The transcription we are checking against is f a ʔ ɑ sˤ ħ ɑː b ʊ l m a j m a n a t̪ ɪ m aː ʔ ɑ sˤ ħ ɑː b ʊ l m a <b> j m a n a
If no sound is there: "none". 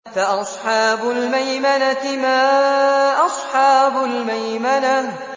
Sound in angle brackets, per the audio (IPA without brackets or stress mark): none